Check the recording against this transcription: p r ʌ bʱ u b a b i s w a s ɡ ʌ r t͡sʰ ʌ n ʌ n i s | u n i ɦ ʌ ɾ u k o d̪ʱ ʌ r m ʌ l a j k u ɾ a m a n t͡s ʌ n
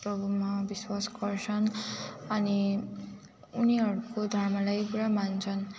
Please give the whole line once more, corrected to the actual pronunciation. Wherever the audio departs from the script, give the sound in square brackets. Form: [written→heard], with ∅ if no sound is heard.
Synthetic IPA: p r ʌ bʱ u [b→m] a b i s w a s ɡ ʌ r t͡sʰ ʌ n ʌ n i [s→∅] | u n i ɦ ʌ ɾ u k o d̪ʱ ʌ r m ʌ l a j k u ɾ a m a n [t͡s→t͡sʰ] ʌ n